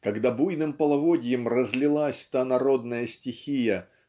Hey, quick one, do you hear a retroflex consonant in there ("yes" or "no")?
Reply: no